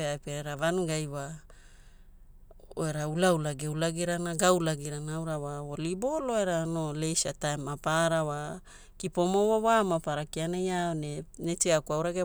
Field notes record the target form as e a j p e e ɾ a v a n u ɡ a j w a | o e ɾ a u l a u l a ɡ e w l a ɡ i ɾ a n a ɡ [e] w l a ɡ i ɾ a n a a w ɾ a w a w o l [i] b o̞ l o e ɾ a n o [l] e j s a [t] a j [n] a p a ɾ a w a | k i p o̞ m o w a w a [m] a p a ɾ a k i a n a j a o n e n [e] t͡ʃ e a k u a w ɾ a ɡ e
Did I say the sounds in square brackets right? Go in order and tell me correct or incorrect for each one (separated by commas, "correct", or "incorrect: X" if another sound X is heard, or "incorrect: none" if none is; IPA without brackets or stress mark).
incorrect: a, correct, correct, correct, incorrect: m, correct, correct